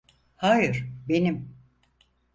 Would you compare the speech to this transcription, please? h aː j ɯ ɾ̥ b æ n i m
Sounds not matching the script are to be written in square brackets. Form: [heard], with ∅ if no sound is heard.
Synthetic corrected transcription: h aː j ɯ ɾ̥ b [e] n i m